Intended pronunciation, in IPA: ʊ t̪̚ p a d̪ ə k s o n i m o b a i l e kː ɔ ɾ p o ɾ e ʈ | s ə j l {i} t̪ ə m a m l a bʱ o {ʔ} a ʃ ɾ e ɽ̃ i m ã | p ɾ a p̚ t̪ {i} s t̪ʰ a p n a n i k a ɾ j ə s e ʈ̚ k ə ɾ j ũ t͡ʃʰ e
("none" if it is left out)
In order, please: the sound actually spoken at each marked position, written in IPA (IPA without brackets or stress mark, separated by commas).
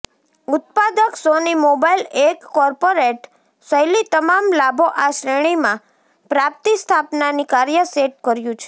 i, ʔ, i